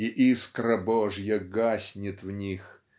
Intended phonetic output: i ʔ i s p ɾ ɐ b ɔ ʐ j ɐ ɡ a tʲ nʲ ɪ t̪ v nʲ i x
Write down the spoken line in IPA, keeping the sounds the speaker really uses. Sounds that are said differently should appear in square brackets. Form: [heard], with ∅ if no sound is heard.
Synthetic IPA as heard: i ʔ i s [k] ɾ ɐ b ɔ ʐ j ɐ ɡ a [sʲ] nʲ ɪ t̪ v nʲ i x